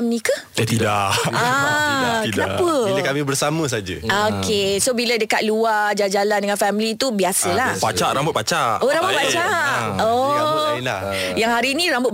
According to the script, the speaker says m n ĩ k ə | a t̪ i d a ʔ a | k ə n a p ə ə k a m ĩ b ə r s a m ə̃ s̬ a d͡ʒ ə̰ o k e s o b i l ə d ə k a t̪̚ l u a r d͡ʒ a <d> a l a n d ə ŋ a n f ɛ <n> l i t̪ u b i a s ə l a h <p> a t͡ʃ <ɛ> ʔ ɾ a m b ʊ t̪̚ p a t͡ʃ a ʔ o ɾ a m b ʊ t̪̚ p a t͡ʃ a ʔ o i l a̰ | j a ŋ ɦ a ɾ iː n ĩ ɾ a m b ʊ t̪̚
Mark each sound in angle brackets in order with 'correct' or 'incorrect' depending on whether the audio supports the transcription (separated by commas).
incorrect, incorrect, correct, incorrect